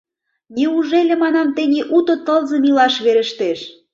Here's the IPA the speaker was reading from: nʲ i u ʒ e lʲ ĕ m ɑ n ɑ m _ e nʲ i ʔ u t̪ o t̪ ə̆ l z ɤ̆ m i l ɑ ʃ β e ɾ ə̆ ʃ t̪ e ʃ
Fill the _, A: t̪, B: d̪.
A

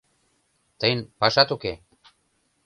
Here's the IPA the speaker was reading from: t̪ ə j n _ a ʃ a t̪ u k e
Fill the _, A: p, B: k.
A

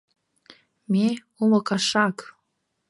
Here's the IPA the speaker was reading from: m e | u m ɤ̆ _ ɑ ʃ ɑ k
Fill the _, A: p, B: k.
B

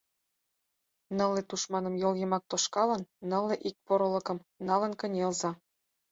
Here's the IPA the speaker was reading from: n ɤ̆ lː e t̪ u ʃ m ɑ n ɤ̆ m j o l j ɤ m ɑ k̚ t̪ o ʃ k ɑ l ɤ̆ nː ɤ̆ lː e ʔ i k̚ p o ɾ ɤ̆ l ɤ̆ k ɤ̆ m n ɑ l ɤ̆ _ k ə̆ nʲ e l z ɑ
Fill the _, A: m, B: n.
B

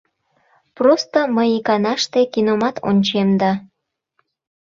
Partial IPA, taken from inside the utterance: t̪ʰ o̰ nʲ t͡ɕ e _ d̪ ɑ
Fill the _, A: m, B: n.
A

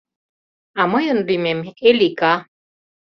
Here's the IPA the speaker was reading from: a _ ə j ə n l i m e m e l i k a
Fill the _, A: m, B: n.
A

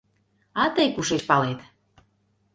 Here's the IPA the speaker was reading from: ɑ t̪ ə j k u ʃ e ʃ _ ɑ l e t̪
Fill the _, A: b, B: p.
B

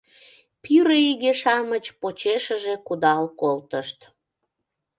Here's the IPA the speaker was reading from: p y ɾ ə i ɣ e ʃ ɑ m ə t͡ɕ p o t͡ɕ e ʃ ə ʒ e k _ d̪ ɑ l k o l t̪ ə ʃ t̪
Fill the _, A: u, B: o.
A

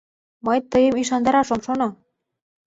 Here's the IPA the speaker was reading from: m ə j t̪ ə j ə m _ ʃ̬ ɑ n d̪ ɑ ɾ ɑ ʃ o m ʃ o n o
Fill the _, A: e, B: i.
B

